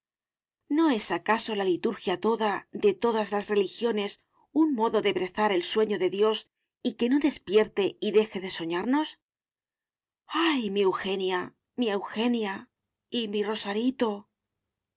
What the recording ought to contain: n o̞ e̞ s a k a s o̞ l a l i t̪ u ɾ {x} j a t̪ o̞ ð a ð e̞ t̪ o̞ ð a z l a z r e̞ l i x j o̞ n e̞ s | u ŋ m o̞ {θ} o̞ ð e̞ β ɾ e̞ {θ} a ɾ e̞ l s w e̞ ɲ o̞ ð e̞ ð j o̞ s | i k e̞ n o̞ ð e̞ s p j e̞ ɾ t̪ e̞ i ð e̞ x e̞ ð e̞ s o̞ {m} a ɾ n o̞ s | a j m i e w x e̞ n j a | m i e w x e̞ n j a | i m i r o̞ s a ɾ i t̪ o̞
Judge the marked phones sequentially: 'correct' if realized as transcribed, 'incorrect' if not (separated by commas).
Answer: correct, incorrect, correct, incorrect